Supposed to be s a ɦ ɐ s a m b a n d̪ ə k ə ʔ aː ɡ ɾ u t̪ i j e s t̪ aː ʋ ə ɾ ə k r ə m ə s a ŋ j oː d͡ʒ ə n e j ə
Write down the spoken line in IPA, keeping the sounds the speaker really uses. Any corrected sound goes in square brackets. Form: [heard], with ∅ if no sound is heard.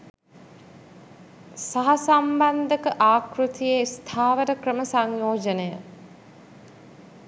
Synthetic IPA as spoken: s a ɦ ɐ s a m b a n d̪ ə k ə ʔ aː [k] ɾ u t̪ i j e s [t̪ʰ] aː ʋ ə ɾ ə k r ə m ə s a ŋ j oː d͡ʒ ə n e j ə